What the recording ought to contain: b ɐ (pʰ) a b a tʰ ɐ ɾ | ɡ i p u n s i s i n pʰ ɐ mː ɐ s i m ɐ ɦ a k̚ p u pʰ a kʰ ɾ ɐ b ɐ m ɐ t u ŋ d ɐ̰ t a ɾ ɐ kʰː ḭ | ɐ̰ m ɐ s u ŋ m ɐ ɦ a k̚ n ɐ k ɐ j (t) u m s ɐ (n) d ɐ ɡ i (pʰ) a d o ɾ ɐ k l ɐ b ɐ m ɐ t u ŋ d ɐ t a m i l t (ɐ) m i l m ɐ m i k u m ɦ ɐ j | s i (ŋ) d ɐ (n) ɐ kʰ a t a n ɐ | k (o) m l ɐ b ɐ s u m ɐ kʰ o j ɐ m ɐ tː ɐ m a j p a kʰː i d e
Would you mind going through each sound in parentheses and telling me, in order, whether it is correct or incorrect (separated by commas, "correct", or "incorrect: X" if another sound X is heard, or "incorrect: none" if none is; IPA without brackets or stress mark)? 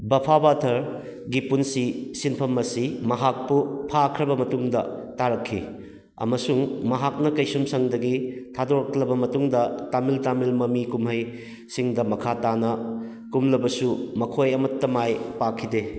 correct, incorrect: s, incorrect: ŋ, incorrect: tʰ, incorrect: a, correct, incorrect: m, incorrect: u